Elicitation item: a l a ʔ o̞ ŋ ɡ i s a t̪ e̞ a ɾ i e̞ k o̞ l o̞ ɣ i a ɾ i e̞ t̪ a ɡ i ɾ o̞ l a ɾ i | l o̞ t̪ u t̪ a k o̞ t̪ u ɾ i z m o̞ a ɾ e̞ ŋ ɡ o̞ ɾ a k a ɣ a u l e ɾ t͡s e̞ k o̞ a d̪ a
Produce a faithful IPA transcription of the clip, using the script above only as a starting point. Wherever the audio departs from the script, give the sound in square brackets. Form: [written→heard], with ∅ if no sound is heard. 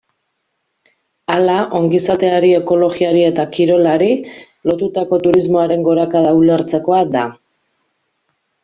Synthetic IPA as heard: a l a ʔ o̞ ŋ ɡ i s a t̪ e̞ a ɾ i e̞ k o̞ l o̞ ɣ i a ɾ i e̞ t̪ a [ɡ→k] i ɾ o̞ l a ɾ i | l o̞ t̪ u t̪ a k o̞ t̪ u ɾ i z m o̞ a ɾ e̞ ŋ ɡ o̞ ɾ a k a [ɣ→ð] a u l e ɾ t͡s e̞ k o̞ a d̪ a